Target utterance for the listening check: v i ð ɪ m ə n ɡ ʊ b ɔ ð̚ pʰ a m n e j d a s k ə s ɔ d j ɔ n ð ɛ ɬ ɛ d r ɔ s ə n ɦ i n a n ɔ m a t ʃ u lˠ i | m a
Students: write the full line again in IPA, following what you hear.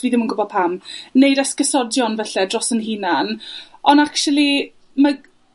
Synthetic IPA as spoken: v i ð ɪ m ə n ɡ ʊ b ɔ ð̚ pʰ a m n e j d a s k ə s ɔ d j ɔ n v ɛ ɬ ɛ d r ɔ s ə n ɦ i n a n ɔ n a k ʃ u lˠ i | m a